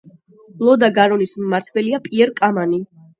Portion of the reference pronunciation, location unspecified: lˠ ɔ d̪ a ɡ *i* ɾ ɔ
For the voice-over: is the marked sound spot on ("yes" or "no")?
no